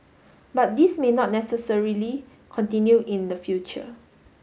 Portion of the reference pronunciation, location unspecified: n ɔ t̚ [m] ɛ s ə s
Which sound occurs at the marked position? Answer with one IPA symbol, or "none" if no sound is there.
n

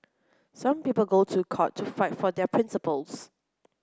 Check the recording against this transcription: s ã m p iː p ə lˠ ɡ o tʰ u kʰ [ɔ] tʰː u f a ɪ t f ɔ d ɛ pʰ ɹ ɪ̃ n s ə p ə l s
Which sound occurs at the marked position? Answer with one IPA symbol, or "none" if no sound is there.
ɔ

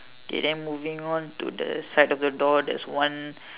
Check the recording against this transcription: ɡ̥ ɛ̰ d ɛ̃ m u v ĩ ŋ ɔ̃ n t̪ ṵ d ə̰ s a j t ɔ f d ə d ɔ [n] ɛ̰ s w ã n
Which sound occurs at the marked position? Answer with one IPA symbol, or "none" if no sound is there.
d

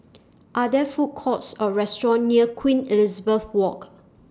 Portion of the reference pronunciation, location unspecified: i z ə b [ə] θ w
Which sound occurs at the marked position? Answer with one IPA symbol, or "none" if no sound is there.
ə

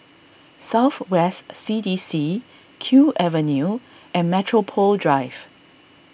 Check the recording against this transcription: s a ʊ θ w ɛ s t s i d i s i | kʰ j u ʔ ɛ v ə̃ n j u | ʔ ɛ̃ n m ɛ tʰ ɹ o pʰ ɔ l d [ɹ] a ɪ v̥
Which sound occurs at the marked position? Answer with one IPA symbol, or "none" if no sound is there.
ɹ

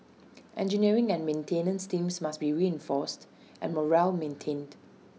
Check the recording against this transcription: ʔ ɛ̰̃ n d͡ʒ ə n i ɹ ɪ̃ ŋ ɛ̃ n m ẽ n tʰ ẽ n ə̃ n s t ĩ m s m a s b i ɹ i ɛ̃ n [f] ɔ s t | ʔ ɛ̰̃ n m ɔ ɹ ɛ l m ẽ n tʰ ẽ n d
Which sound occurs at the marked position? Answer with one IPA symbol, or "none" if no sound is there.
f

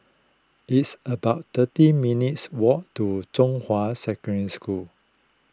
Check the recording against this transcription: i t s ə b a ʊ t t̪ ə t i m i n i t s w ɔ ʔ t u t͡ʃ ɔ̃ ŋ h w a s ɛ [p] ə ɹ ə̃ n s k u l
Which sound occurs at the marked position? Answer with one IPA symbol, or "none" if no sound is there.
k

